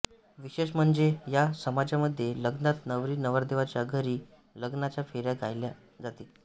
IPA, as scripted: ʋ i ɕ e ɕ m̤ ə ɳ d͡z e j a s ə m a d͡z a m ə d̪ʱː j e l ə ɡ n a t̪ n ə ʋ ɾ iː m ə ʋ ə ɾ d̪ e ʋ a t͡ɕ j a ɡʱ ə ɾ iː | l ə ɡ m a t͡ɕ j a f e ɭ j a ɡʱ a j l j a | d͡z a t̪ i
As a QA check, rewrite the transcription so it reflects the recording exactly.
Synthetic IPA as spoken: ʋ i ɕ e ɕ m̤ ə ɳ d͡z e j a s ə m a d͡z a m ə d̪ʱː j e l ə ɡ n a t̪ n ə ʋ ɾ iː n ə ʋ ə ɾ d̪ e ʋ a t͡ɕ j a ɡʱ ə ɾ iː | l ə ɡ n a t͡ɕ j a f e ɾ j a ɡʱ a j l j a | d͡z a t̪ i